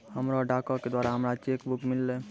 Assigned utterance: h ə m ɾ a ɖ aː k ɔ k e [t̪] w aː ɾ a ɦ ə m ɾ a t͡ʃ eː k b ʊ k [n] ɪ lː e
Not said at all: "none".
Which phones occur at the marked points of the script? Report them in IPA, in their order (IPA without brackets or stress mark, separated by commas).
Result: d̪, m